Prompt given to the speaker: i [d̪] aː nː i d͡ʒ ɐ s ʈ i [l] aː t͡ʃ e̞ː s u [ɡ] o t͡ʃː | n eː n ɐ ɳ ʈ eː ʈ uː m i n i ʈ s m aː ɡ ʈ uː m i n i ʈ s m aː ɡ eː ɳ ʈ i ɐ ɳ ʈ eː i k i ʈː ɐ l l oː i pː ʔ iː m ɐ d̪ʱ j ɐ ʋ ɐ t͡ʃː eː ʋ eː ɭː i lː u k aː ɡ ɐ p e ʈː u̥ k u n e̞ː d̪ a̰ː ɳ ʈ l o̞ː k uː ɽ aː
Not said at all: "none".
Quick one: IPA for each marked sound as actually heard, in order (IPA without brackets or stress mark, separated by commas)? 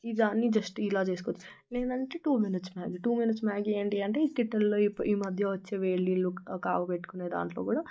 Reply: d̪, l, k